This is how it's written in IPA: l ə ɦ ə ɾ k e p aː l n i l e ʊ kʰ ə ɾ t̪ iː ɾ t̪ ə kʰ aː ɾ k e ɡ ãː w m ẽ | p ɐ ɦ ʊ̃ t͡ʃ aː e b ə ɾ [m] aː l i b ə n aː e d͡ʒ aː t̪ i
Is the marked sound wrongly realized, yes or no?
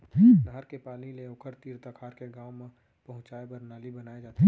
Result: yes